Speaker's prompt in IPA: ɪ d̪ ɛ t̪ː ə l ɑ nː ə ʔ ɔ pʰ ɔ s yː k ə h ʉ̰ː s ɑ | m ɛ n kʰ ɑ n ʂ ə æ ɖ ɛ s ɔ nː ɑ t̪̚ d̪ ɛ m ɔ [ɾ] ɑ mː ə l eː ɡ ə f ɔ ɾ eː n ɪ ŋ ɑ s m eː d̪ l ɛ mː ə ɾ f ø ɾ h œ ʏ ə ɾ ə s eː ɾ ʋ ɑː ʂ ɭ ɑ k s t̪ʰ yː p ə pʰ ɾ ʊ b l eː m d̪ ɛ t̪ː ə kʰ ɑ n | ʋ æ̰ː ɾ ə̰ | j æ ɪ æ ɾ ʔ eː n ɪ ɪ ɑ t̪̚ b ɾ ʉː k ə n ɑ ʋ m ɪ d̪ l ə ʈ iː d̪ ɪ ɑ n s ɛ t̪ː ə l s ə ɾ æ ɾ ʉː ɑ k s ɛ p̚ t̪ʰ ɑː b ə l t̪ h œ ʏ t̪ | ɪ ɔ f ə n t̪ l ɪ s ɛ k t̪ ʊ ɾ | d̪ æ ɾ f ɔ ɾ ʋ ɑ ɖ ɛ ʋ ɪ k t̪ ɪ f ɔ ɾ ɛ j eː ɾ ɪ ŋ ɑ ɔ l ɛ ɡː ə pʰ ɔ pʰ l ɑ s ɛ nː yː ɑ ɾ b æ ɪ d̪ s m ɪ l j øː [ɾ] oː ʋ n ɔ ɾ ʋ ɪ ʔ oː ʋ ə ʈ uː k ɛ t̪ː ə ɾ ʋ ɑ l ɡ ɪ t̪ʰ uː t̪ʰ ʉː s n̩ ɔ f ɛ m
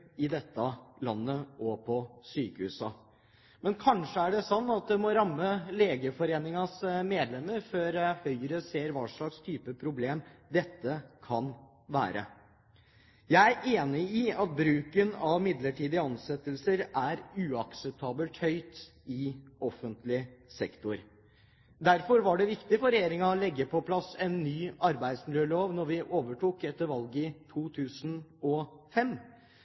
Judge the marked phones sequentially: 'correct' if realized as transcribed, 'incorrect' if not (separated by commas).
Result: correct, incorrect